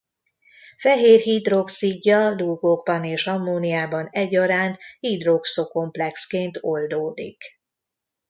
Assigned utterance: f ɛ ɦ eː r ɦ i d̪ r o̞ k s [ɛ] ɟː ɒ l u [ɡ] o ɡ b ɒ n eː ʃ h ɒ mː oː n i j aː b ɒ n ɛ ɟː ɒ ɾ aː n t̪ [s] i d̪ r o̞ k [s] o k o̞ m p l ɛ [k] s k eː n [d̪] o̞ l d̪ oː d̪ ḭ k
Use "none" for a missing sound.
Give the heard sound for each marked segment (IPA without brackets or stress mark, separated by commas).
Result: i, ɡ, h, s, k, t̪